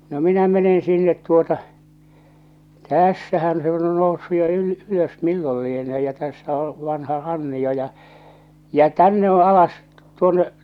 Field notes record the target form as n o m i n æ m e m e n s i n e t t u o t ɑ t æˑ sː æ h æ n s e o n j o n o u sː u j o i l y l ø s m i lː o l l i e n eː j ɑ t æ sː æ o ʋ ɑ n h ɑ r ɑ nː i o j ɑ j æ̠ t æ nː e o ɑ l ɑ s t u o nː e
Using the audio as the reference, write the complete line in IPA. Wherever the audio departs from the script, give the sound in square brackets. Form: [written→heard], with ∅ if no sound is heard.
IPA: n o m i n æ m e [m→n] e n s i [n→nː] e t t u o t ɑ t æˑ sː æ h æ n s e o n j o n o u sː u j o [i→y] l y l ø s m i lː o l l i e n eː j ɑ t æ sː æ o ʋ ɑ n h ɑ r ɑ nː i o j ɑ j æ̠ t æ nː e o ɑ l ɑ s t u o nː e